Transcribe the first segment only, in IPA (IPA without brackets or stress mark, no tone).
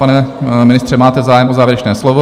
a